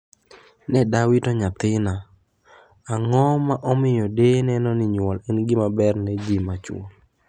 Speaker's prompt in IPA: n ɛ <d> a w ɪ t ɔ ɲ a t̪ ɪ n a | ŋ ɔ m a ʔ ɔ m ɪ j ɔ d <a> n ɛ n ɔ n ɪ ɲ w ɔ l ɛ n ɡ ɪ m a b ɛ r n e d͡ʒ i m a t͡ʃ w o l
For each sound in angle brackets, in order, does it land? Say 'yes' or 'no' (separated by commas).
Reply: yes, no